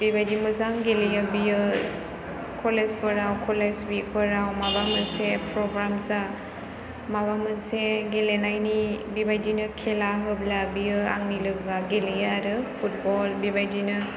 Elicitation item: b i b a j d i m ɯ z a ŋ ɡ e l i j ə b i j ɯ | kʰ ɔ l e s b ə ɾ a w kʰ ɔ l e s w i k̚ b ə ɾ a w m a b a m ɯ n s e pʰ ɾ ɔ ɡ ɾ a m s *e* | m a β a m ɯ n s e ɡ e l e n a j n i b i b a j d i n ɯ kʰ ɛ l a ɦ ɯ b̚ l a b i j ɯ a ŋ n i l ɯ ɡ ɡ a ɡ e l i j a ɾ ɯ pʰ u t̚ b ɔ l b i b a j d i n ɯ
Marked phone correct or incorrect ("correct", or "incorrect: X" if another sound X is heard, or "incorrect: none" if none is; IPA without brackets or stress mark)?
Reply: incorrect: a